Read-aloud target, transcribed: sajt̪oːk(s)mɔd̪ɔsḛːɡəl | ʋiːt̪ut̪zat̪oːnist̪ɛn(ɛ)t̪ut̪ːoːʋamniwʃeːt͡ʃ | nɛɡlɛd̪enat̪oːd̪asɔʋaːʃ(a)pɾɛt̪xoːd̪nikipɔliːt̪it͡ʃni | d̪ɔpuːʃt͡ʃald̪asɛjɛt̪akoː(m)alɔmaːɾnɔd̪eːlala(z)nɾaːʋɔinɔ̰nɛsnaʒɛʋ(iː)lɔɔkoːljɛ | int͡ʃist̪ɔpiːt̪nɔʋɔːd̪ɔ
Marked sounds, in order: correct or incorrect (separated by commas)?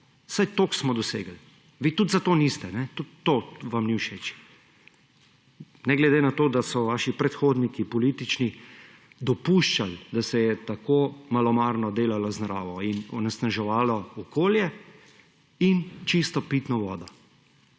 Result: correct, correct, incorrect, correct, correct, incorrect